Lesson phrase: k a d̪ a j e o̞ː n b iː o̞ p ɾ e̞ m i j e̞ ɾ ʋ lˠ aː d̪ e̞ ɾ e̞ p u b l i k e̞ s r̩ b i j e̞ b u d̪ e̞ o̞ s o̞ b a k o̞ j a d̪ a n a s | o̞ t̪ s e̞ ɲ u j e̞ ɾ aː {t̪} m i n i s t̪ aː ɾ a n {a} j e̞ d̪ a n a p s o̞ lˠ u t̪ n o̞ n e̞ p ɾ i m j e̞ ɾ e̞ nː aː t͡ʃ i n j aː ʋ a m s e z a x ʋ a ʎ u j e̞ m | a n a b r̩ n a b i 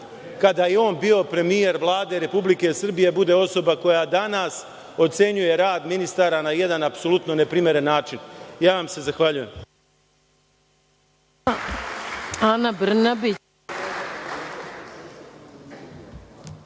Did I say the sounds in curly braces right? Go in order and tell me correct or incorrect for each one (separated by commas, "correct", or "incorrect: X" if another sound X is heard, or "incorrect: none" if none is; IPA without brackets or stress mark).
incorrect: d̪, correct